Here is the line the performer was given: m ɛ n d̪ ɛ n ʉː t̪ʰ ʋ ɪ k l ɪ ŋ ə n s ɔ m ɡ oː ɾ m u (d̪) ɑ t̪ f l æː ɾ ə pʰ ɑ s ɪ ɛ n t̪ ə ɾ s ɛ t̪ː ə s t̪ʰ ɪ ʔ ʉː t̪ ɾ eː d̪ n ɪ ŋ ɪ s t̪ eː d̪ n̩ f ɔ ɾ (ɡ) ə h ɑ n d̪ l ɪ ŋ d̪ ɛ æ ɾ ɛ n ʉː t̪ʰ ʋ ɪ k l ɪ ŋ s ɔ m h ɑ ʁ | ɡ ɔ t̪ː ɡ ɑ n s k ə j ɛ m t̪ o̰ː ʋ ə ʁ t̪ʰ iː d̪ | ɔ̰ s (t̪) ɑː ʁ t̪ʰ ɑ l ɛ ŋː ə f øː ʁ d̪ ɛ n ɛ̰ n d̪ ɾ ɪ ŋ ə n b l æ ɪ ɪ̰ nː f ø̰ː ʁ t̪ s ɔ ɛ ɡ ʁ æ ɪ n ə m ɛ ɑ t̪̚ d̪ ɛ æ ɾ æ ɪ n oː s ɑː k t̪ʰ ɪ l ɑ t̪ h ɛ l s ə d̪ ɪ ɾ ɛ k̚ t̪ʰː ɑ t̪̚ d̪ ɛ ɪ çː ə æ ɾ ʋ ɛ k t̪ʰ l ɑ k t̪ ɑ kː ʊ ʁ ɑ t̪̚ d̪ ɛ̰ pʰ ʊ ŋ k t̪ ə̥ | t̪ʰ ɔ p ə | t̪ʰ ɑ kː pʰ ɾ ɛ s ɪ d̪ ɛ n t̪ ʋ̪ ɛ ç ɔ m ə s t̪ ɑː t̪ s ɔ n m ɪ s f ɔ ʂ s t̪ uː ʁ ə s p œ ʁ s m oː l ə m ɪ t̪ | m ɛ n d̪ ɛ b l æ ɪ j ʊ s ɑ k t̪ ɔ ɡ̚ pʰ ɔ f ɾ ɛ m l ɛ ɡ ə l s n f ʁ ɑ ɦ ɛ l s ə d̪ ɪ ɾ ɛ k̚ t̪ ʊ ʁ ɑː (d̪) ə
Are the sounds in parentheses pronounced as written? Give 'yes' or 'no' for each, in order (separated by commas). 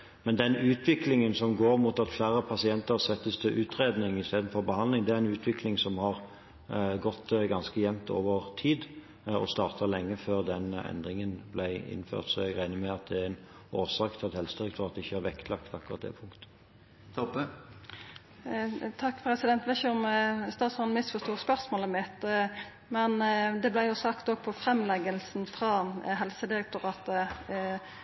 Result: no, no, yes, no